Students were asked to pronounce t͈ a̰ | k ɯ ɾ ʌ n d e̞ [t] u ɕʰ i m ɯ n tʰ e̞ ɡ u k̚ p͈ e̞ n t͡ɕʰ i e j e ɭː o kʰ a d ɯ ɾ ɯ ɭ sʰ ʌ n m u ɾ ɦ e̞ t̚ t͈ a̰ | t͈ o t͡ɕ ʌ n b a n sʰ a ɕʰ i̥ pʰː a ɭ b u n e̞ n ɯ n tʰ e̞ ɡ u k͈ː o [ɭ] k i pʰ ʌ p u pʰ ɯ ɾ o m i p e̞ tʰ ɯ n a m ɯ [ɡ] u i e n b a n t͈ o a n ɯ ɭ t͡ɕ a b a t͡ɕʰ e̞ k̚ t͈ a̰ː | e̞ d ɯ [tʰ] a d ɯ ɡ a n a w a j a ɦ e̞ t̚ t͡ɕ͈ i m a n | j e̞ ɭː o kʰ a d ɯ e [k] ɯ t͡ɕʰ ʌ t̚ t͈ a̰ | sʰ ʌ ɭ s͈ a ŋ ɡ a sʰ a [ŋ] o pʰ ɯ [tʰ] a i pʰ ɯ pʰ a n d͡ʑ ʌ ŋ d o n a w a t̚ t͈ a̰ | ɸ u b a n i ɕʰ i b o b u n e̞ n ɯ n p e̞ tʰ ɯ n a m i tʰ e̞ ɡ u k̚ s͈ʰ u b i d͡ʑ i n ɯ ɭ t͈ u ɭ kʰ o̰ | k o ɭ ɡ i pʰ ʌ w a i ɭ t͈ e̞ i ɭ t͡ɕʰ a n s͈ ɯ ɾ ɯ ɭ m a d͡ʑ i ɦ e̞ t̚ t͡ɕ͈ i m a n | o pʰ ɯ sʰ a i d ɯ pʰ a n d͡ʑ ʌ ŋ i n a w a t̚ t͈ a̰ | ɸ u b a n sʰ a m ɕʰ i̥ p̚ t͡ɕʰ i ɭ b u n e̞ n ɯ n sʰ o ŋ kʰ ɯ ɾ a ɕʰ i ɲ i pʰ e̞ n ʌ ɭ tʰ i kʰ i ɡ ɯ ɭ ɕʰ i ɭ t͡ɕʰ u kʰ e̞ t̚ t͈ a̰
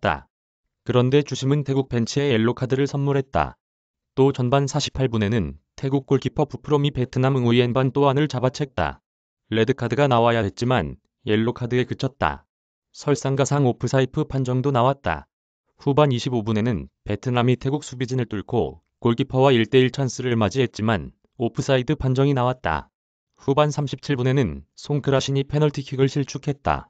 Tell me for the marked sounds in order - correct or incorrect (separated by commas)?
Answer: incorrect, correct, incorrect, incorrect, correct, correct, incorrect